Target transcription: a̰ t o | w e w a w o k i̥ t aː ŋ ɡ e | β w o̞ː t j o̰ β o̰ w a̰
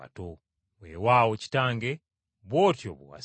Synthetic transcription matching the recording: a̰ t o | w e w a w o c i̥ t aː ŋ ɡ e | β w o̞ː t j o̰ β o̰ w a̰